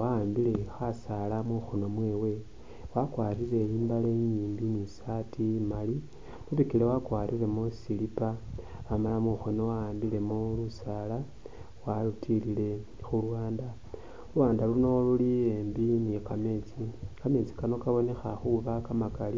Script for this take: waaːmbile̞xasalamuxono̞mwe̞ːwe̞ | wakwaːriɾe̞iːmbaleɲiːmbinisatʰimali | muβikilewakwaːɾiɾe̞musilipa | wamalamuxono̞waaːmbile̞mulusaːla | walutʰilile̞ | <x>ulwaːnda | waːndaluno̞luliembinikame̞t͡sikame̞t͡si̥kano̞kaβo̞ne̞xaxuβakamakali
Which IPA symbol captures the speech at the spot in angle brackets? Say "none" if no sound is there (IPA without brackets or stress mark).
x